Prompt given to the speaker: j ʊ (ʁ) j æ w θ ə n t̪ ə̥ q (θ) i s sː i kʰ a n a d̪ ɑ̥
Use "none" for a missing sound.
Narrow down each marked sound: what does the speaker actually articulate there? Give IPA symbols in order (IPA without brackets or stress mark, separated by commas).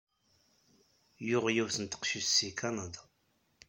ʁ, ʃ